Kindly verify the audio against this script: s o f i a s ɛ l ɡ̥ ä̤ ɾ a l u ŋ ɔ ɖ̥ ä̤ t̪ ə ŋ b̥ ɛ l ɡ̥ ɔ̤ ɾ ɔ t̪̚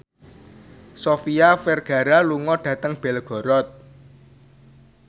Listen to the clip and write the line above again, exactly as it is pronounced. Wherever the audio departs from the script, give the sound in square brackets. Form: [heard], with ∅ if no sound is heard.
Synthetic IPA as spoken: s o f i a [f] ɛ [r] ɡ̥ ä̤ ɾ a l u ŋ ɔ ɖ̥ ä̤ t̪ ə ŋ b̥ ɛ l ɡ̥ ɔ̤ ɾ ɔ t̪̚